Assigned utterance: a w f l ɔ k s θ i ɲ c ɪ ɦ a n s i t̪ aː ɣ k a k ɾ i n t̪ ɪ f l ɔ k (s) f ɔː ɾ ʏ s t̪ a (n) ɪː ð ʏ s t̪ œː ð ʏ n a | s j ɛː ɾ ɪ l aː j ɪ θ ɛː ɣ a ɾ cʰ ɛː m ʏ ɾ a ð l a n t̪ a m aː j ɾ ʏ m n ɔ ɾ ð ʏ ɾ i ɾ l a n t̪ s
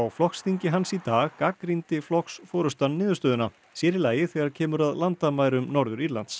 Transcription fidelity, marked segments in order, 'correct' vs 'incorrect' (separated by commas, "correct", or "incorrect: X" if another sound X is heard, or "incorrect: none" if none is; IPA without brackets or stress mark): correct, incorrect: nː